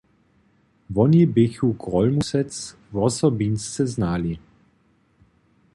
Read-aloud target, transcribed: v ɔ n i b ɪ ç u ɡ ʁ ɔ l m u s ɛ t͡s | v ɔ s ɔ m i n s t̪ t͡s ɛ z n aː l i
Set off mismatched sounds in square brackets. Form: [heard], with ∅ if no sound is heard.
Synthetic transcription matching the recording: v ɔ n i b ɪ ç u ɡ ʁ ɔ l m u s ɛ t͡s | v ɔ s ɔ [b] i n s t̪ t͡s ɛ z n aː l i